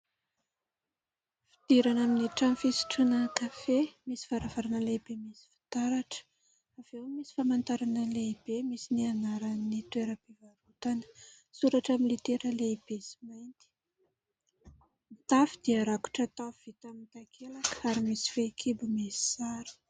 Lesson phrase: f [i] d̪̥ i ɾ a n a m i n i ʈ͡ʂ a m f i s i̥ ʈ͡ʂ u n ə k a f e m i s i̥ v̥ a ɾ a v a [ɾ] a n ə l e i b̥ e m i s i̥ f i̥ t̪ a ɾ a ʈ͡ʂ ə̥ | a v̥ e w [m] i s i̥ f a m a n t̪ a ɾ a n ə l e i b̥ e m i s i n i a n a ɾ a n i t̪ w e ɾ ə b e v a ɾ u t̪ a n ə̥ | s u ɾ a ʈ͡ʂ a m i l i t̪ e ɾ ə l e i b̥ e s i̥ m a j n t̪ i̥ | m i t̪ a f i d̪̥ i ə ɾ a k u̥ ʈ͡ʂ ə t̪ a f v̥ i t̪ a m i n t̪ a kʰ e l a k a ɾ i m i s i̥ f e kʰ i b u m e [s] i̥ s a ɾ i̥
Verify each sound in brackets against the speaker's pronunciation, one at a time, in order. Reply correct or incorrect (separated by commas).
correct, correct, correct, correct